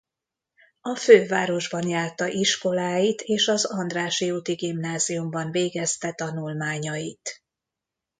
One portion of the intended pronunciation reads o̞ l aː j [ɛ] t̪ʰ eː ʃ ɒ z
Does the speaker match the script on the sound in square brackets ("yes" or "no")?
no